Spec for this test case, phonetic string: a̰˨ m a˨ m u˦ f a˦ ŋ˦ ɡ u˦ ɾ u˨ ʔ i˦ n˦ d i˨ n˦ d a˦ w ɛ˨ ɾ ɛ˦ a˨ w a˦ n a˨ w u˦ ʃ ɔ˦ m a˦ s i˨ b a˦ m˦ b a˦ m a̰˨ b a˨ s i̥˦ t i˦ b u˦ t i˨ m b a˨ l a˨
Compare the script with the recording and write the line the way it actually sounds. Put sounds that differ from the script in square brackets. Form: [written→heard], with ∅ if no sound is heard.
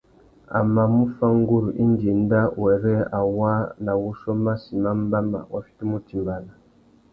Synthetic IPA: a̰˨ m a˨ m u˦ f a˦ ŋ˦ ɡ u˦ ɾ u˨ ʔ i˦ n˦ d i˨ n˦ d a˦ w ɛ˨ ɾ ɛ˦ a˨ w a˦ n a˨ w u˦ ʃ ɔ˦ m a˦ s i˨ [b→m] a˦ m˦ b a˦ m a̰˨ [b→w] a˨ [s→f] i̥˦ t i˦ [b→m] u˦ t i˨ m b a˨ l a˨